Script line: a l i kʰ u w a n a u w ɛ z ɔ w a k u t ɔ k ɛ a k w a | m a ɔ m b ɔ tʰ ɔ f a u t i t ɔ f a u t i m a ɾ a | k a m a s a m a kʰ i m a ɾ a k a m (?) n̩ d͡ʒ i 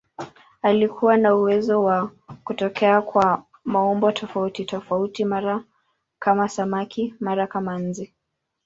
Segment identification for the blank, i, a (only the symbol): a